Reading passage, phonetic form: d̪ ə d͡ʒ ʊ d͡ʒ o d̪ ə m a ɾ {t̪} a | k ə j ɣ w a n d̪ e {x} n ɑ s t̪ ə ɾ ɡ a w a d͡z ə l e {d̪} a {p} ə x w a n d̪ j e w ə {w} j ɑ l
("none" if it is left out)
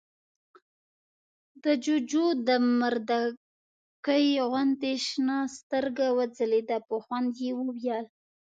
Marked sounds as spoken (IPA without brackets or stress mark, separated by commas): d̪, ʃ, d̪, p, w